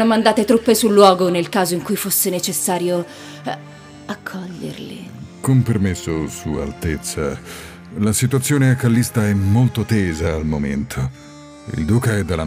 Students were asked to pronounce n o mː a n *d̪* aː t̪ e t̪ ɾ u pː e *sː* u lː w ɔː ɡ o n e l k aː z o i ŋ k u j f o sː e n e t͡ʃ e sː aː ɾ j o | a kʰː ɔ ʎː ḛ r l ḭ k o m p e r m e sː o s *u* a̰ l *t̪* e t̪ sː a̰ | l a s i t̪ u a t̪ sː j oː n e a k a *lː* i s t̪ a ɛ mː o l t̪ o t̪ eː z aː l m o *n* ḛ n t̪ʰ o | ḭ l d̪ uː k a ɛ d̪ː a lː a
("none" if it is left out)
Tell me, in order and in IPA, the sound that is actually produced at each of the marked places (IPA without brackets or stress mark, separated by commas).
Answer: d̪, s, u, t̪, lː, m